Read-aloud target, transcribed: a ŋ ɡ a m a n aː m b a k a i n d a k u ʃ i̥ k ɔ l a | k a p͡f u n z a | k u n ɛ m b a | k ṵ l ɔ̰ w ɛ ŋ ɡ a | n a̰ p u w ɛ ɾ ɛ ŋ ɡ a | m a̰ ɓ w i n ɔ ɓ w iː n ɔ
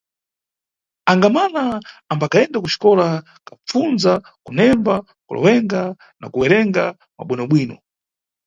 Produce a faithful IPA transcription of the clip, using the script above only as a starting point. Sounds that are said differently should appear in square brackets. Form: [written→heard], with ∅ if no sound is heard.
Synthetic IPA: a ŋ ɡ a m a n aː m b a k a [i→ɛ] n d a k u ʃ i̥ k ɔ l a | k a p͡f u n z a | k u n ɛ m b a | k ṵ l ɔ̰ w ɛ ŋ ɡ a | n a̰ [p→k] u w ɛ ɾ ɛ ŋ ɡ a | m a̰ ɓ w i n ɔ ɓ w iː n ɔ